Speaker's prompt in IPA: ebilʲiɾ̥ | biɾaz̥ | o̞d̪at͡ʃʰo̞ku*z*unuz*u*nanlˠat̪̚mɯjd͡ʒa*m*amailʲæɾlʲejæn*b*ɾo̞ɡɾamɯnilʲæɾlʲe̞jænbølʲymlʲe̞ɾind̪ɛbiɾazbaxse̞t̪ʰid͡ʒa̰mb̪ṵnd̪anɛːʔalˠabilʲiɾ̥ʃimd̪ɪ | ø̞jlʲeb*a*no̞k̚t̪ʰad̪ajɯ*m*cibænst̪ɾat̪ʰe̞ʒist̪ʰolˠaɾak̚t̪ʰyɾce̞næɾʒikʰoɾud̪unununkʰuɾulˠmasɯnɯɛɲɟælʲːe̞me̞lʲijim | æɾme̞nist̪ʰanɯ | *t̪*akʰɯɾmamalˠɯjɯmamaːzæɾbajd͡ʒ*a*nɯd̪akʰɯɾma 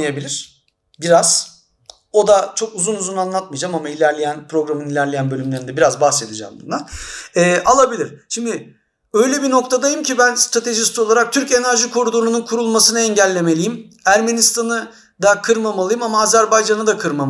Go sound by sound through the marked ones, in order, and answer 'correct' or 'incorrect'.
correct, correct, correct, incorrect: p, incorrect: i, correct, incorrect: d̪, correct

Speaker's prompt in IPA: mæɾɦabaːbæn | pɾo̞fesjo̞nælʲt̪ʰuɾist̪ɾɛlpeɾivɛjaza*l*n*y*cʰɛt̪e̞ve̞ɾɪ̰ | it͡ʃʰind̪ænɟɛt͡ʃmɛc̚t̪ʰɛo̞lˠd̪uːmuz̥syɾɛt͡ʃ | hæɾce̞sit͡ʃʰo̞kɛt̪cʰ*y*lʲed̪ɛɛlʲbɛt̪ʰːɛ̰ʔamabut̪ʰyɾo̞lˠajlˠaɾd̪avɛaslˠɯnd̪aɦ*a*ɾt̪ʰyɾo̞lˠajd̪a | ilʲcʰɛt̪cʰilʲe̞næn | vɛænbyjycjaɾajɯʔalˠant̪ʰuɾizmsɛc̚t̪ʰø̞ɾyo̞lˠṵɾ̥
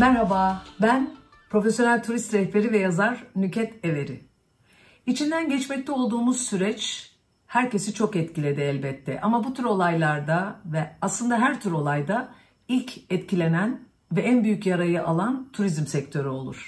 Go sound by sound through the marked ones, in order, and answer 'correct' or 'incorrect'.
incorrect: ɾ, correct, incorrect: i, incorrect: æ

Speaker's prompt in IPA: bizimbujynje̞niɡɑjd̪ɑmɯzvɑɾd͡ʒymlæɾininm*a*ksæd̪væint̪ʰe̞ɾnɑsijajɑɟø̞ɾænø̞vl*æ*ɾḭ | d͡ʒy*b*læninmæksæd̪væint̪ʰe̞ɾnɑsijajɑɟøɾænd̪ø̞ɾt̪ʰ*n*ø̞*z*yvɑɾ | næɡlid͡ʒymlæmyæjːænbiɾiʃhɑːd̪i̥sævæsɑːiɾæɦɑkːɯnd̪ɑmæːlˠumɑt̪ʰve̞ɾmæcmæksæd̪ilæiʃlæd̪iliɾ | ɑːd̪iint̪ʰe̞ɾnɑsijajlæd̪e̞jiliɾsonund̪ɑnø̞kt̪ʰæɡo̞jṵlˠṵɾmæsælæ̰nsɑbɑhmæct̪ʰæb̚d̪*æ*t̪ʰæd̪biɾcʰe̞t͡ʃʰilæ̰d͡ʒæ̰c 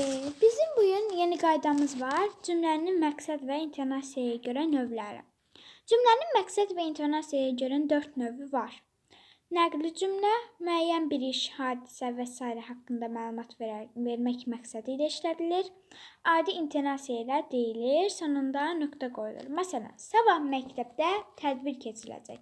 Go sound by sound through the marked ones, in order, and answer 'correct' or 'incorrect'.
incorrect: æ, correct, incorrect: m, correct, incorrect: v, correct

